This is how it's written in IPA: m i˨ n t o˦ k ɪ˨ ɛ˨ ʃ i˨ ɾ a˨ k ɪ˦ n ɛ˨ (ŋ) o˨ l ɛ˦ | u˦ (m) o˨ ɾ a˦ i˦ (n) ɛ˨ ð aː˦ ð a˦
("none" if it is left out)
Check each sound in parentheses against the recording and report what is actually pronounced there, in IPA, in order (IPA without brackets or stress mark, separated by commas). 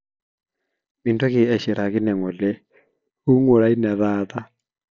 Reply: ŋ, ŋ, n